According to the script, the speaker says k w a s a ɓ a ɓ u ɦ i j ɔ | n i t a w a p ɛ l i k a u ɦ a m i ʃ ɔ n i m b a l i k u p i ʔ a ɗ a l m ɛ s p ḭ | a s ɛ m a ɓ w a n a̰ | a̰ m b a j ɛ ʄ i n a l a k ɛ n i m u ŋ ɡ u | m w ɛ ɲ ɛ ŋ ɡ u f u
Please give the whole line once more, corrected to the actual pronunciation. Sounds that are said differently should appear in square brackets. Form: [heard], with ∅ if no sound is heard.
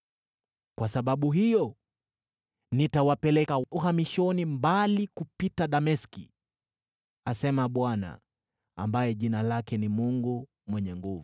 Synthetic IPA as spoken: k w a s a ɓ a ɓ u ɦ i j ɔ | n i t a w a p ɛ l [ɛ] k a u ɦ a m i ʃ ɔ n i m b a l i k u p i [t] a ɗ a [∅] m ɛ s [k] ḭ | a s ɛ m a ɓ w a n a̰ | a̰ m b a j ɛ ʄ i n a l a k ɛ n i m u ŋ ɡ u | m w ɛ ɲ ɛ ŋ ɡ u [v] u